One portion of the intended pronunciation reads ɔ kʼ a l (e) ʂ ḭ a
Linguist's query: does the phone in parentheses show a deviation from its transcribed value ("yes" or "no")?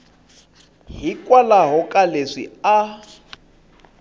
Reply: no